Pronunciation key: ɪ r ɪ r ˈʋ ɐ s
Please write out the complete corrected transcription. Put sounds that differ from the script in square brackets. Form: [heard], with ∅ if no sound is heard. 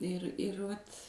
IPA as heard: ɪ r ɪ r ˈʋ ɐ [t]